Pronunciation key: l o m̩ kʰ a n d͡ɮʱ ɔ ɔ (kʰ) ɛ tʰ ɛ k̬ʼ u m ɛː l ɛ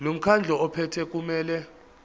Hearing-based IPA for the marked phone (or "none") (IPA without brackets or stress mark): pʰ